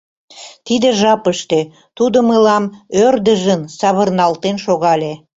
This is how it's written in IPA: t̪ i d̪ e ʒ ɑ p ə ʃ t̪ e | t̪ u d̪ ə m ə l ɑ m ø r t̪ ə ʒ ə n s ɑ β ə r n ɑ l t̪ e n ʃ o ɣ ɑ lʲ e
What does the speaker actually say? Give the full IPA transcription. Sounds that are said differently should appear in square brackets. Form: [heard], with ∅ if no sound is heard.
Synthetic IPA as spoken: t̪ i d̪ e ʒ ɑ p ə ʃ t̪ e | t̪ u d̪ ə m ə l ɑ m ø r [d̪] ə ʒ ə n s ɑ β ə r n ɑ l t̪ e n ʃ o ɣ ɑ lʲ e

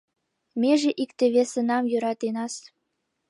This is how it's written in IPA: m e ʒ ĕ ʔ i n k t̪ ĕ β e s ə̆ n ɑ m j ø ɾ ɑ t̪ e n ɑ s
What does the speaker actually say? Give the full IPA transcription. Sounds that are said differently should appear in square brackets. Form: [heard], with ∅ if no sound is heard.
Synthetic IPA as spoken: m e ʒ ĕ ʔ i [∅] k t̪ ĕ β e s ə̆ n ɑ m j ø ɾ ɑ t̪ e n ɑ s

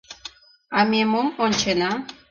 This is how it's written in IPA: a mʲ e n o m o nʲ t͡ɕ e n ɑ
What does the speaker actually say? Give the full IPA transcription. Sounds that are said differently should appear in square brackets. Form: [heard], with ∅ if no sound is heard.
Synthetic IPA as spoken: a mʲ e [m] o m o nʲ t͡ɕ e n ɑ

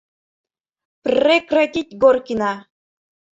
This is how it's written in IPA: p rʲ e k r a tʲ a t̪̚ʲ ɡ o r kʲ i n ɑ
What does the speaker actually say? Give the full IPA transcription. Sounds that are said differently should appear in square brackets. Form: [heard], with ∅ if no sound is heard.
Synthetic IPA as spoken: p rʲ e k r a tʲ [i] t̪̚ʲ ɡ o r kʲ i n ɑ

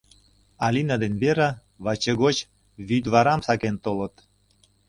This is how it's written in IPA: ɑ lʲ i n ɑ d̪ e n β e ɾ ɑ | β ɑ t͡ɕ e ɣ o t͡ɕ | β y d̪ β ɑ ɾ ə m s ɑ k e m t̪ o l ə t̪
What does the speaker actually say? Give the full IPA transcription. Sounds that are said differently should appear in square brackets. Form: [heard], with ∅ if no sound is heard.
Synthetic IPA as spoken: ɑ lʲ i n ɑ d̪ e n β e ɾ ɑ | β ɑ t͡ɕ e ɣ o t͡ɕ | β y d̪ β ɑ ɾ [ɑ] m s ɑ k e [n] t̪ o l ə t̪

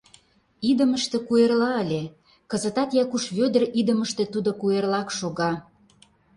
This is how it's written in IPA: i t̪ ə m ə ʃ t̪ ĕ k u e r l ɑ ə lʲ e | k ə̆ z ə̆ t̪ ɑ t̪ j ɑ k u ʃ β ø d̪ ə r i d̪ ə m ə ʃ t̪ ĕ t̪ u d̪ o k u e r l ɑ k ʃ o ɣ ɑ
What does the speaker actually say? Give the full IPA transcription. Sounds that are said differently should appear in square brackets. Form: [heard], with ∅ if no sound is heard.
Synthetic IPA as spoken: i [d̪] ə m ə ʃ t̪ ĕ k u e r l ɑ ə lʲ e | k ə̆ z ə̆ t̪ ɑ t̪ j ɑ k u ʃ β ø d̪ ə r i d̪ ə m ə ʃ t̪ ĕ t̪ u d̪ o k u e r l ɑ k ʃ o ɣ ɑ

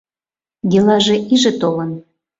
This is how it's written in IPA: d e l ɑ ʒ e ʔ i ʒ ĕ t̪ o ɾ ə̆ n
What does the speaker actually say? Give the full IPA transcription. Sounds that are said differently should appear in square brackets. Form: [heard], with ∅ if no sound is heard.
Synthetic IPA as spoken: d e l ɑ ʒ e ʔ i ʒ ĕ t̪ o [l] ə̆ n

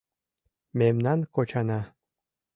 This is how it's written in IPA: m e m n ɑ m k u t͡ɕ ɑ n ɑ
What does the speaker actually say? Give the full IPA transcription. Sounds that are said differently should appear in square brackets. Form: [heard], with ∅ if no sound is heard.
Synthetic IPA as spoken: m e m n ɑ [n] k [o] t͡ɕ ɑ n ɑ

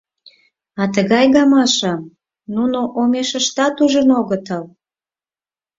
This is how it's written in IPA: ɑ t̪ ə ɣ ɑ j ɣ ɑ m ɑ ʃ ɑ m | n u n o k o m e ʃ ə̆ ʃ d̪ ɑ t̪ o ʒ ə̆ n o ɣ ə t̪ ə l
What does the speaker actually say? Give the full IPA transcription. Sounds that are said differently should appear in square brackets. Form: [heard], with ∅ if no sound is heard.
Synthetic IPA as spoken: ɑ t̪ ə ɣ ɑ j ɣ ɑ m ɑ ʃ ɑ m | n u n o [ʔ] o m e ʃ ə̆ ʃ [t̪] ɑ t̪ [u] ʒ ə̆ n o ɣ ə t̪ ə l

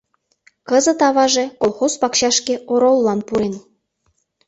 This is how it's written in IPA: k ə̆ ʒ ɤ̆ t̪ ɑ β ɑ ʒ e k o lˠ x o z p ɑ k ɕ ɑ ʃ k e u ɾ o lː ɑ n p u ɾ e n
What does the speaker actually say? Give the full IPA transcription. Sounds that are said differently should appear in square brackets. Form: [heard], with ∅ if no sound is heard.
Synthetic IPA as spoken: k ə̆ [z] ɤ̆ t̪ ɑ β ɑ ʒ e k o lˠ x o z p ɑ k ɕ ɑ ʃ k e [o] ɾ o lː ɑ n p u ɾ e n

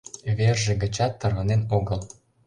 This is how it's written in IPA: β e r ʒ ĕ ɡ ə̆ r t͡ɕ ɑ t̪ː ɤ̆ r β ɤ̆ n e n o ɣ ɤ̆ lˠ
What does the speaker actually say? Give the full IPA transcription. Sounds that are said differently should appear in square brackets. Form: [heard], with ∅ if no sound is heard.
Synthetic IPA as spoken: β e r ʒ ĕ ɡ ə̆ [∅] t͡ɕ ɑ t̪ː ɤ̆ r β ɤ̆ n e n o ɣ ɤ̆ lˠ

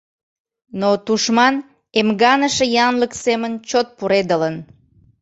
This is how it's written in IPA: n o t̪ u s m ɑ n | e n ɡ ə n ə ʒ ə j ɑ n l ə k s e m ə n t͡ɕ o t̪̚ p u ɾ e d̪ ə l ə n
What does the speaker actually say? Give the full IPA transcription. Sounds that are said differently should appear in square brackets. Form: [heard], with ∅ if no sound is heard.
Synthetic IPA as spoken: n o t̪ u [ʃ] m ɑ n | e [m] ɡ [ɑ] n ə [ʃ] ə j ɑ n l ə k s e m ə n t͡ɕ o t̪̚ p u ɾ e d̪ ə l ə n

